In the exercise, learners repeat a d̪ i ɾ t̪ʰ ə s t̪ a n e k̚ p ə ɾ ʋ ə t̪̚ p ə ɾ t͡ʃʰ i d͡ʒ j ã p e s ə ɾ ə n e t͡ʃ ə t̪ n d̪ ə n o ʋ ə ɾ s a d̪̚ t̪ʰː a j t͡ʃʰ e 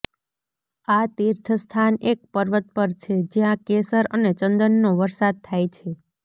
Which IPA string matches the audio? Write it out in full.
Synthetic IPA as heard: a t̪ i ɾ t̪ʰ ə s t̪ʰ a n e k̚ p ə ɾ ʋ ə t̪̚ p ə ɾ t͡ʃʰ e d͡ʒ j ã k e s ə ɾ ə n e t͡ʃ ə n d̪ ə nː o ʋ ə ɾ s a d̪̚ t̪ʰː a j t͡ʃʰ e